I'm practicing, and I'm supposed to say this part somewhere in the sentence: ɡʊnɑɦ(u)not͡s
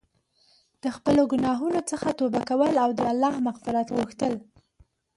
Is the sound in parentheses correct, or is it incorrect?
correct